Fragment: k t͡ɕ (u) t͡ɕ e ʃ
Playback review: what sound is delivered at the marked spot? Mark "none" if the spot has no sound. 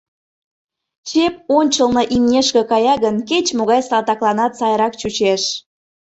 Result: u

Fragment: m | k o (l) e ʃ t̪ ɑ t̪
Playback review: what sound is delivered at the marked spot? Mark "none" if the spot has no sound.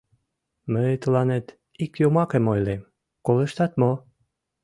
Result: l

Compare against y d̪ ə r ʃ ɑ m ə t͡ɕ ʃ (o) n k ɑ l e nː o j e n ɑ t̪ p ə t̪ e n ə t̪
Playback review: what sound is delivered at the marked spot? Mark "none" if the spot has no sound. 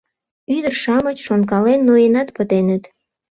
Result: o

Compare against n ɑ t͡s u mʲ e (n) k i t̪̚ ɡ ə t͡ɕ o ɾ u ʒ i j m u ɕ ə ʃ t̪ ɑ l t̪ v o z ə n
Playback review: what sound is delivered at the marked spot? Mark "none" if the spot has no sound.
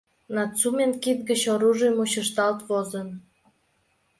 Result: n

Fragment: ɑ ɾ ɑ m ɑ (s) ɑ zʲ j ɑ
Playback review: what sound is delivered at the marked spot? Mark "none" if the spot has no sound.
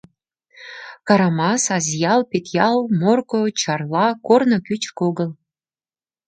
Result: s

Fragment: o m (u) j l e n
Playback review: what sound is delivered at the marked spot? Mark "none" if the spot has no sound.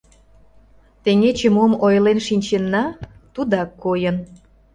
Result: o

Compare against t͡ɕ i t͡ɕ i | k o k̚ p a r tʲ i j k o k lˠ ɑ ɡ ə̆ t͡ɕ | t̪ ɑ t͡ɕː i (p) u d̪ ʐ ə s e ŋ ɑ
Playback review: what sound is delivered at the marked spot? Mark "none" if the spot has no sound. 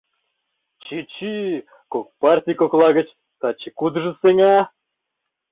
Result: k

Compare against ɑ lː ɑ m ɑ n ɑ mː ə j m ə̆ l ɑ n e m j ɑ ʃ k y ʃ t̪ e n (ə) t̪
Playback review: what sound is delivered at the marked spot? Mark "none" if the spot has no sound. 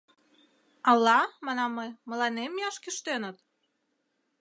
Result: ə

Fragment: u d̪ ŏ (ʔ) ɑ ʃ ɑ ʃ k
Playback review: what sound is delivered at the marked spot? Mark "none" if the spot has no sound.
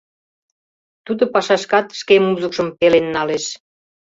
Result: p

